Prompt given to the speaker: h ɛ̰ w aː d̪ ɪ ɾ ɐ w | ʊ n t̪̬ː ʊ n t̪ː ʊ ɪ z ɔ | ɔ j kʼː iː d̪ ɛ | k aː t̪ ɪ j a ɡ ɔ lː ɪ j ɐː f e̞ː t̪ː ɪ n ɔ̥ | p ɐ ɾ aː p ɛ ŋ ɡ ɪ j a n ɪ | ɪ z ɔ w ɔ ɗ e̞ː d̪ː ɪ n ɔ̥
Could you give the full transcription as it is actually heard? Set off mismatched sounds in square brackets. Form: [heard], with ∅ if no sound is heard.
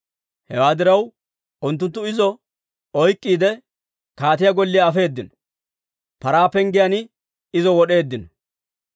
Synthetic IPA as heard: h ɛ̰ w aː d̪ ɪ ɾ ɐ w | ʊ n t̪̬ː ʊ n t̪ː ʊ ɪ z ɔ | ɔ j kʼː iː d̪ ɛ | k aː t̪ ɪ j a ɡ ɔ lː ɪ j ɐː f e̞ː [d̪ː] ɪ n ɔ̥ | p ɐ ɾ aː p ɛ ŋ ɡ ɪ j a n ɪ | ɪ z ɔ w ɔ ɗ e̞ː d̪ː ɪ n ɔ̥